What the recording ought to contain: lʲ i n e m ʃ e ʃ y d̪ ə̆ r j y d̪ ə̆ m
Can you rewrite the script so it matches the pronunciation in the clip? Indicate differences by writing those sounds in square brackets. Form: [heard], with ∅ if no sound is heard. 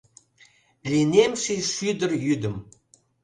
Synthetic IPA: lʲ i n e m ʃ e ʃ y d̪ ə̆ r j y d̪ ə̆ m